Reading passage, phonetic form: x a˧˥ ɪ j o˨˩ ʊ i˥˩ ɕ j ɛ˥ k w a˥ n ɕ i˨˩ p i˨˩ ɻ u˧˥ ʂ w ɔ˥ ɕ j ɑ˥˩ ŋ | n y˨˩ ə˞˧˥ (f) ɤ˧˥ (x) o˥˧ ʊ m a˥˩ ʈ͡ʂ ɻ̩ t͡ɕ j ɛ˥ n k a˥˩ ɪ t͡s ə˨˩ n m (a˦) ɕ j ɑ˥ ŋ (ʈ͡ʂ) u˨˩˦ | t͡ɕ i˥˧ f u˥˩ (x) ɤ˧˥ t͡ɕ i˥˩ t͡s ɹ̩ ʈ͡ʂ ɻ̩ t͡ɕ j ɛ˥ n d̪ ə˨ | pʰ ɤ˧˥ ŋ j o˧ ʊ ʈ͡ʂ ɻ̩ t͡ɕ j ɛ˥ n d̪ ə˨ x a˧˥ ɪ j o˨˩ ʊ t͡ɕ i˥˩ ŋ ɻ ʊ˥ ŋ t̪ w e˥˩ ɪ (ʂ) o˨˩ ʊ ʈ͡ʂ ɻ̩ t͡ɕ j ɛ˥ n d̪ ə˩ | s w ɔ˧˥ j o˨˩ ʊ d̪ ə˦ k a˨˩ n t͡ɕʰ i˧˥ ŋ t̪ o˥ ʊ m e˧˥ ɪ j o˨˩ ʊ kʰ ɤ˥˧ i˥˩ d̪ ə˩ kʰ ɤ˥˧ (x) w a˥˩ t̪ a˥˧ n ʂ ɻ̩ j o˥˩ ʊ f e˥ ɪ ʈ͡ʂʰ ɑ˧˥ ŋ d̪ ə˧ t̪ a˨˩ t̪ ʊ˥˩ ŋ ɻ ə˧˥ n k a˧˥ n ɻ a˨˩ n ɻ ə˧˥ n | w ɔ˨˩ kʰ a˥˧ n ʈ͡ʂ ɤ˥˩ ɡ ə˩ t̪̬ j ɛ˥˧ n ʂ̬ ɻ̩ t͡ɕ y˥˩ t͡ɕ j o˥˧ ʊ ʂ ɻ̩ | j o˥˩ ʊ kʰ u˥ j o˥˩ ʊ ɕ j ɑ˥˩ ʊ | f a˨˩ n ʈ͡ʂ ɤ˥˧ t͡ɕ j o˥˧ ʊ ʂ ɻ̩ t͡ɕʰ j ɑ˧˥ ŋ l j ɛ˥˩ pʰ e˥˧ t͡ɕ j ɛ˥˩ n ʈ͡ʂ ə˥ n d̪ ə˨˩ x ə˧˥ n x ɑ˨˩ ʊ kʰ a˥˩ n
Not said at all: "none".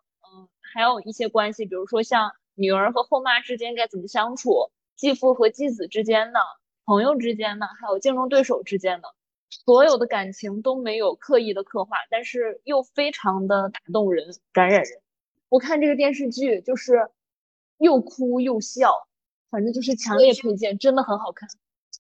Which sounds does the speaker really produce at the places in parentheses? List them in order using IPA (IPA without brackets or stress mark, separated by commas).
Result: x, x, ə˦, ʈ͡ʂʰ, x, ʂ, x